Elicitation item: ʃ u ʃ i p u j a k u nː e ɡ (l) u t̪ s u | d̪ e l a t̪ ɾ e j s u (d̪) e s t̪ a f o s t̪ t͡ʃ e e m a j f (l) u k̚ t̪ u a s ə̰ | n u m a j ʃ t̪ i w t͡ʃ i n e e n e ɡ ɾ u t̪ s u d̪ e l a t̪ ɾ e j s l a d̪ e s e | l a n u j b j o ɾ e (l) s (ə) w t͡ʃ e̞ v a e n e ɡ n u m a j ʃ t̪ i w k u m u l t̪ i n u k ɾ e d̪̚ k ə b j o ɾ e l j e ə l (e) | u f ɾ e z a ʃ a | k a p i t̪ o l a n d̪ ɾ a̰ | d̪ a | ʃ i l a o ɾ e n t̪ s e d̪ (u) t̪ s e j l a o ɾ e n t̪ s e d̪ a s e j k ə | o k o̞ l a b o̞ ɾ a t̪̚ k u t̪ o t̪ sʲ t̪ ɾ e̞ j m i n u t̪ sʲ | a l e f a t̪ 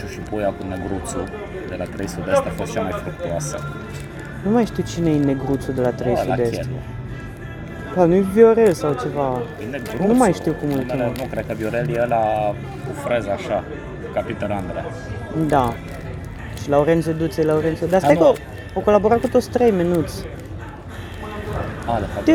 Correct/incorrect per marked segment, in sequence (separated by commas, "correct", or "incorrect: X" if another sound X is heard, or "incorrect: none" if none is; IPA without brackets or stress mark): incorrect: ɾ, correct, incorrect: ɾ, correct, incorrect: a, incorrect: a, correct